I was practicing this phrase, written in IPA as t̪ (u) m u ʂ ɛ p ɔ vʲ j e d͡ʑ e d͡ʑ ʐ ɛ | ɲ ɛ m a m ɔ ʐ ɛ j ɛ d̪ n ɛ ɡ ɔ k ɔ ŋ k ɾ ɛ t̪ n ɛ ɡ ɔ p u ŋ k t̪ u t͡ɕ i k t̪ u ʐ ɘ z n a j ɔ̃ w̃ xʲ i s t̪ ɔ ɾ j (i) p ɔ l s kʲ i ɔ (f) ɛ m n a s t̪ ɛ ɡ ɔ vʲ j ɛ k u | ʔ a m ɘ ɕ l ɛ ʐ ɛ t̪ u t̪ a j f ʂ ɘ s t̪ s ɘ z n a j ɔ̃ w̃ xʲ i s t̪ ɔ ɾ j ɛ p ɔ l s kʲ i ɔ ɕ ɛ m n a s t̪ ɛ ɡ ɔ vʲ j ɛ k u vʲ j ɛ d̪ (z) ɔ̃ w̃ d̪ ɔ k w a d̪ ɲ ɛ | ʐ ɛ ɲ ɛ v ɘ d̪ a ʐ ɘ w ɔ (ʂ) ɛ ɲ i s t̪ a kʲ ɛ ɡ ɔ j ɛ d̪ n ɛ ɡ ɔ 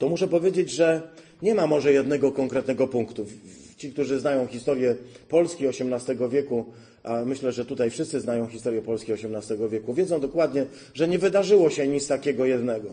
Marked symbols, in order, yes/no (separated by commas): no, no, no, yes, no